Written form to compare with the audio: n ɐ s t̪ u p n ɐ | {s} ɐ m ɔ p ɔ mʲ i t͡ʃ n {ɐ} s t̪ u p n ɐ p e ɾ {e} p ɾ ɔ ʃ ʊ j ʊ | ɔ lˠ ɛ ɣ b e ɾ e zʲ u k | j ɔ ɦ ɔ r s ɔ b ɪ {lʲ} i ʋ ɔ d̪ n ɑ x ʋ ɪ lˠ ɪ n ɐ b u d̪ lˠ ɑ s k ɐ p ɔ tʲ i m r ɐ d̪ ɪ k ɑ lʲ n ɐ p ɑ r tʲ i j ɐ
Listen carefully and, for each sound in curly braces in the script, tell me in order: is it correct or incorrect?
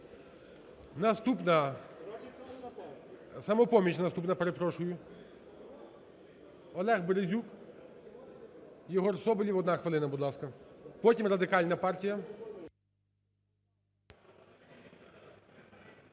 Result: correct, correct, correct, correct

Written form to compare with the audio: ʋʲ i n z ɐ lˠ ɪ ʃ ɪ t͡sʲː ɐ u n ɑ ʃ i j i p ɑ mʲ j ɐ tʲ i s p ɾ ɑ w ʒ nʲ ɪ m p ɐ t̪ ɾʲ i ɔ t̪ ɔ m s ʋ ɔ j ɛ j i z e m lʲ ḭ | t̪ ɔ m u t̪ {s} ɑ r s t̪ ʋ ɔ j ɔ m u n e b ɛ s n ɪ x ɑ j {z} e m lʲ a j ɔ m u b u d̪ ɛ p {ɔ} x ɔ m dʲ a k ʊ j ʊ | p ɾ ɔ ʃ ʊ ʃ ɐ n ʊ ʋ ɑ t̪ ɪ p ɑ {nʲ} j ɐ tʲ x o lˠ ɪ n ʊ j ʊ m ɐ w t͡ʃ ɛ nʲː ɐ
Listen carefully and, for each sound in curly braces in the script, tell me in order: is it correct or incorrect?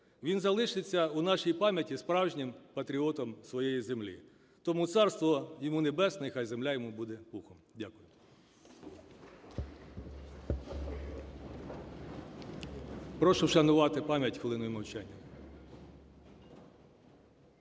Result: correct, correct, incorrect: u, incorrect: mʲ

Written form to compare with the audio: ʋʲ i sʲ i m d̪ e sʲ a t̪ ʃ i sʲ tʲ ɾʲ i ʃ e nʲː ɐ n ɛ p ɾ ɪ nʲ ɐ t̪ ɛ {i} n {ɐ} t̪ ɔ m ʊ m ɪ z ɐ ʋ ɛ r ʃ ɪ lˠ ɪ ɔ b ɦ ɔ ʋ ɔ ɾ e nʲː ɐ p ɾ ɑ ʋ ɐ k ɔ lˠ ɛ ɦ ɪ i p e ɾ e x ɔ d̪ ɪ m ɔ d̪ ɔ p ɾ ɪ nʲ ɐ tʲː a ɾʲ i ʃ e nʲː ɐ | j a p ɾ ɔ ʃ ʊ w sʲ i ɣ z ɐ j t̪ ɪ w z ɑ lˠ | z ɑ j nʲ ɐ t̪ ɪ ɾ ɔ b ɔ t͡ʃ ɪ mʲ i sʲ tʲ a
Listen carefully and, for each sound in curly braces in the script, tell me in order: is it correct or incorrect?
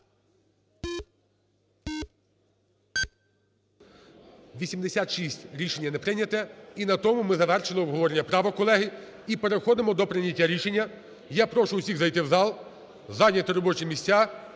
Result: correct, correct

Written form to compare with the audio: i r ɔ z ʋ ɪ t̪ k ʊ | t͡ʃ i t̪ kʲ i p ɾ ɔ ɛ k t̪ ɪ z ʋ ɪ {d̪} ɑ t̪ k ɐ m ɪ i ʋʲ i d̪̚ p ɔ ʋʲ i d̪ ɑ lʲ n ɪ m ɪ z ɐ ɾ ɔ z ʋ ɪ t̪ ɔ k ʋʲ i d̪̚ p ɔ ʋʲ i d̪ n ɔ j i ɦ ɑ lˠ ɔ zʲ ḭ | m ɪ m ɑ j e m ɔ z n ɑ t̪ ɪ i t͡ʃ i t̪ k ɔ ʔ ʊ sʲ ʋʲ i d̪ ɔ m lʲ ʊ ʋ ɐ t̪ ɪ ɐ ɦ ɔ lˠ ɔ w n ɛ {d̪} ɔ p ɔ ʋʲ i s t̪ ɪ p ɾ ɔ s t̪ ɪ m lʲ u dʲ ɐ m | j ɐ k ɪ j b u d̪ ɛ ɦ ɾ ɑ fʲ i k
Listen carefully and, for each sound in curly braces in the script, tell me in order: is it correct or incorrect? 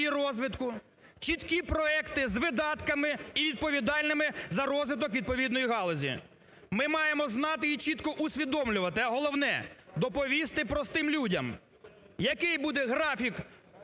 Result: correct, correct

